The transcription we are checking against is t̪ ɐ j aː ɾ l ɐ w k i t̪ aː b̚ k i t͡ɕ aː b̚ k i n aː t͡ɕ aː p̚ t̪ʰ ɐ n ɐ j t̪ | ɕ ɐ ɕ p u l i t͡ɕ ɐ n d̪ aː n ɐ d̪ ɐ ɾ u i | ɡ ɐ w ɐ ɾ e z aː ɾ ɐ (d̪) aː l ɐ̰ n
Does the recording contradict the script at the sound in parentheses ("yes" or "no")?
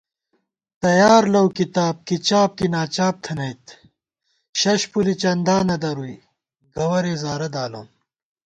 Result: no